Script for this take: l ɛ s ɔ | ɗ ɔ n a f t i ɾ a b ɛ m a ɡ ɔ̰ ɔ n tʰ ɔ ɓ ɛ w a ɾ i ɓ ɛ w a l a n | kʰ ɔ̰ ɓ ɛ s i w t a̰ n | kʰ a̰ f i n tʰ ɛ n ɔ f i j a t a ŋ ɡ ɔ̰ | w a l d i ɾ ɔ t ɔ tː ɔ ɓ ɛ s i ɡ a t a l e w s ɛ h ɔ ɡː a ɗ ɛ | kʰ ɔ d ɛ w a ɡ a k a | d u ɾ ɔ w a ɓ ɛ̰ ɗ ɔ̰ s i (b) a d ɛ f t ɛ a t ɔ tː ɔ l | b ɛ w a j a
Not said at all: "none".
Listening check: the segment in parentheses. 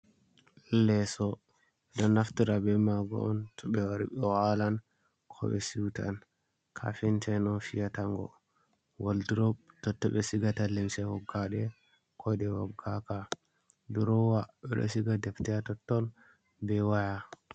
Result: ɡ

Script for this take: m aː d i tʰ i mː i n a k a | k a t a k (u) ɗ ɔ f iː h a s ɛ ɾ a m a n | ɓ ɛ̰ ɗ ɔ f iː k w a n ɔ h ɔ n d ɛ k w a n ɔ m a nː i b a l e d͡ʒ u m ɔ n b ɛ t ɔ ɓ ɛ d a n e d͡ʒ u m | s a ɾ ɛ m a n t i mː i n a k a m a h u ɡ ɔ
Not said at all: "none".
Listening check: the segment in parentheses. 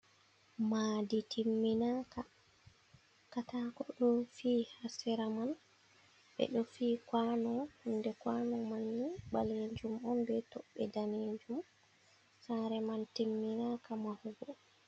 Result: ɔ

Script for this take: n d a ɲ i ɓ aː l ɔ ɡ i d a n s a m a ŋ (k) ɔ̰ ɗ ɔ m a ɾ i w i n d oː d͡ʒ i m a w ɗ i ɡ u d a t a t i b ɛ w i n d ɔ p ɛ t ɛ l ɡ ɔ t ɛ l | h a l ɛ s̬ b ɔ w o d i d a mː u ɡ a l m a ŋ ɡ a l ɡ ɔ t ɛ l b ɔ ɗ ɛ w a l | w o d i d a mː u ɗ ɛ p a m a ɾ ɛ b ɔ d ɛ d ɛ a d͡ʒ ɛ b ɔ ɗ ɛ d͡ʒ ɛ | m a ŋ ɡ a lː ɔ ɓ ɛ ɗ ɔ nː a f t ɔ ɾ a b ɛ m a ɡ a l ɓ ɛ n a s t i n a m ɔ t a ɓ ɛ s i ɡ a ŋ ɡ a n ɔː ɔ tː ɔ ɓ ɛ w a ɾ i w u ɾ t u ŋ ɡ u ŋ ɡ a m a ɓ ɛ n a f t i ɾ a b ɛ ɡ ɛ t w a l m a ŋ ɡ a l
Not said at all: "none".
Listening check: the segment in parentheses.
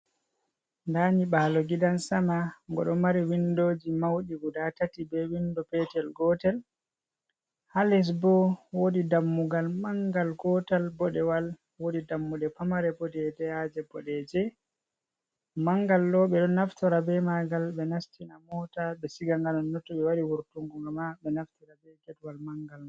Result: ɡ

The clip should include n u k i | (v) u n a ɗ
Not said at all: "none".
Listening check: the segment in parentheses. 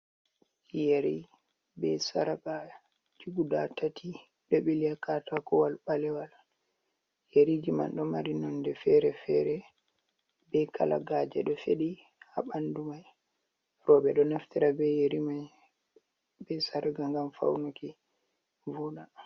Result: v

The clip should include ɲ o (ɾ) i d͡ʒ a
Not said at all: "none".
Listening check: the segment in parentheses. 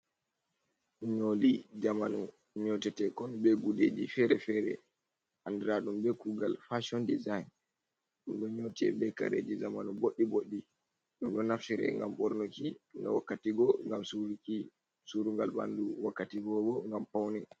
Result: l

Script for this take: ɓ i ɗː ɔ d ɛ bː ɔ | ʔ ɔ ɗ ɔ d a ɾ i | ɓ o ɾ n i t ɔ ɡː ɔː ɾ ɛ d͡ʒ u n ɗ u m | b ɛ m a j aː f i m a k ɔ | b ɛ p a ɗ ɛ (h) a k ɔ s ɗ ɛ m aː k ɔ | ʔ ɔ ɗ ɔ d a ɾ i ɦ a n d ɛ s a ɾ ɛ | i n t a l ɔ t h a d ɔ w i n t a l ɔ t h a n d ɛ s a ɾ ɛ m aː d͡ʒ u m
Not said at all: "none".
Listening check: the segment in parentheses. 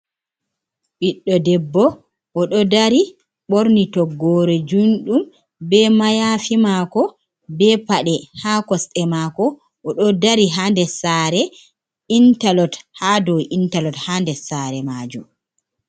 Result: h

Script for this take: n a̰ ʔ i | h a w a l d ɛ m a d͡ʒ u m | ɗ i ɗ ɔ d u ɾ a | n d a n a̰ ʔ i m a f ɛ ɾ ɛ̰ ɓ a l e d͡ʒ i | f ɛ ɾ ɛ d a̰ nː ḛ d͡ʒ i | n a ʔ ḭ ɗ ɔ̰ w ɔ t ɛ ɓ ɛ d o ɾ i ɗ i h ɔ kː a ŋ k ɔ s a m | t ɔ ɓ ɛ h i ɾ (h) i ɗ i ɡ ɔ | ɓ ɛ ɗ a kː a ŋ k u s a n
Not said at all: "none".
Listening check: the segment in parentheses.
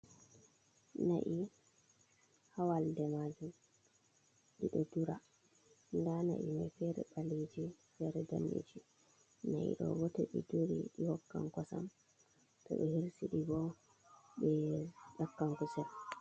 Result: s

